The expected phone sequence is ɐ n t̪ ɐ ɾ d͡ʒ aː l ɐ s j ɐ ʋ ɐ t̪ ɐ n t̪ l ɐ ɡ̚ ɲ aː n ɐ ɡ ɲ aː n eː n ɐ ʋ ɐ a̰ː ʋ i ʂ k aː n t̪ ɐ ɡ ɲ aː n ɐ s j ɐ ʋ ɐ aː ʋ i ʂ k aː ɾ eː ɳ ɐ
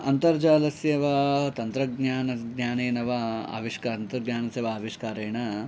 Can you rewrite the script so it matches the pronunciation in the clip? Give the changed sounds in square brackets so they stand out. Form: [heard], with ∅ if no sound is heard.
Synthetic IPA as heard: ɐ n t̪ ɐ ɾ d͡ʒ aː l ɐ s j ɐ ʋ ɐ t̪ ɐ n t̪ [ɾ] ɐ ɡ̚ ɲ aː n ɐ ɡ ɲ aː n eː n ɐ ʋ ɐ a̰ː ʋ i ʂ k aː n t̪ ɐ ɡ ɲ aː n ɐ s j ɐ ʋ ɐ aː ʋ i ʂ k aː ɾ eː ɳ ɐ

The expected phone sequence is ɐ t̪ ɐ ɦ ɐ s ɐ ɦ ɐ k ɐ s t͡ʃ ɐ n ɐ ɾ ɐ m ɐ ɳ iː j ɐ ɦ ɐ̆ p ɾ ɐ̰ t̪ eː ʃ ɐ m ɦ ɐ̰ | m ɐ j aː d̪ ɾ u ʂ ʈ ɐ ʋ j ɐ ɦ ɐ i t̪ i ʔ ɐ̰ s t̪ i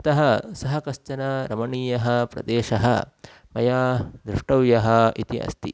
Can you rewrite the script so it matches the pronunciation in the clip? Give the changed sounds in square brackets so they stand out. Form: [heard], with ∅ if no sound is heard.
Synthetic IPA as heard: ɐ t̪ ɐ ɦ ɐ s ɐ ɦ ɐ k ɐ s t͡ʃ ɐ n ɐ ɾ ɐ m ɐ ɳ iː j ɐ ɦ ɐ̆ p ɾ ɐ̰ [d̪] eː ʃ ɐ [∅] ɦ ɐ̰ | m ɐ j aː d̪ ɾ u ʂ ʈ ɐ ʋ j ɐ ɦ ɐ i t̪ i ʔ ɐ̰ s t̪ i

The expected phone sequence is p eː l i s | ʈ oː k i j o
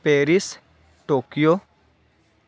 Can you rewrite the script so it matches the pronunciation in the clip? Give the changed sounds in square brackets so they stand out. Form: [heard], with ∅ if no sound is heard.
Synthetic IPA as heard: p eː [ɾ] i s | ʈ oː k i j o

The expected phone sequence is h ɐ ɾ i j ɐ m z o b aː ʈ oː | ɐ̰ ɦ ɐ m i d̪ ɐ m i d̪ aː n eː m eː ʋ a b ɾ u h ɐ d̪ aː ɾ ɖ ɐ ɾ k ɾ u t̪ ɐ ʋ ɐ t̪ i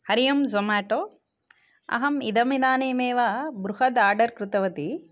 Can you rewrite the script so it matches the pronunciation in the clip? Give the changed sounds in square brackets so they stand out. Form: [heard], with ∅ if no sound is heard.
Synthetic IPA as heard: h ɐ ɾ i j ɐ m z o [m] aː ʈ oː | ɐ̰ ɦ ɐ m i d̪ ɐ m i d̪ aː n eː m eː ʋ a b ɾ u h ɐ d̪ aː ɾ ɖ ɐ ɾ k ɾ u t̪ ɐ ʋ ɐ t̪ i

